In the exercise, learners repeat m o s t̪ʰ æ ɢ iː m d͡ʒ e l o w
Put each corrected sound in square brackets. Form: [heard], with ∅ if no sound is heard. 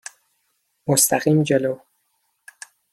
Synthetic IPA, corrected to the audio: m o s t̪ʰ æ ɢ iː m d͡ʒ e l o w

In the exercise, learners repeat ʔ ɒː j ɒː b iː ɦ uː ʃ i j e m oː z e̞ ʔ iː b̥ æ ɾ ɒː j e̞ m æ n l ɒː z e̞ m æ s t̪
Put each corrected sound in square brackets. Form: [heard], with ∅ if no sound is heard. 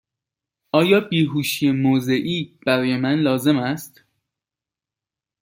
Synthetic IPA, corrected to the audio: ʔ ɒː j ɒː b iː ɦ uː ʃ i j e m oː z e̞ ʔ iː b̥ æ ɾ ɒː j e̞ m æ n l ɒː z e̞ m æ s t̪

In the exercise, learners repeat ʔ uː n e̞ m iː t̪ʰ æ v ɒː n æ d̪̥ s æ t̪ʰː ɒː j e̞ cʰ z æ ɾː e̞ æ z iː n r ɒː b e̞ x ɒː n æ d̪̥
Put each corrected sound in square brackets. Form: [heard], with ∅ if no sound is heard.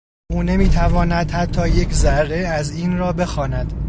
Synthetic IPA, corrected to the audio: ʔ uː n e̞ m iː t̪ʰ æ v ɒː n æ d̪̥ [h] æ t̪ʰː ɒː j e̞ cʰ z æ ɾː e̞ æ z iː n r ɒː b e̞ x ɒː n æ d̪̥

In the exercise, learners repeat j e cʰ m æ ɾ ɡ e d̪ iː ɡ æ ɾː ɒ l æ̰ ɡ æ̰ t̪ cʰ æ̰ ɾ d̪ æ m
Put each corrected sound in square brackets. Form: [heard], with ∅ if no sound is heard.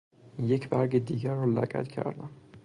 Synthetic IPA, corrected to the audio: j e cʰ [b] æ ɾ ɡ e d̪ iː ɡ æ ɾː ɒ l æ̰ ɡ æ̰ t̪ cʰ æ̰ ɾ d̪ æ m

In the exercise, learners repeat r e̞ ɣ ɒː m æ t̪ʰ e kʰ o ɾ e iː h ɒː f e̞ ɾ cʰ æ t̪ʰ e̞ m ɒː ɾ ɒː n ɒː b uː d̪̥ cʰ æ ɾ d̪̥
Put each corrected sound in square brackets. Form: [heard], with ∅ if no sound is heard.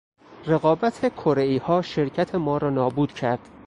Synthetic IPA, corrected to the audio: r e̞ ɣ ɒː [b] æ t̪ʰ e kʰ o ɾ e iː h ɒː [ʃ] e̞ ɾ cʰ æ t̪ʰ e̞ m ɒː ɾ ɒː n ɒː b uː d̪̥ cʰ æ ɾ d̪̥

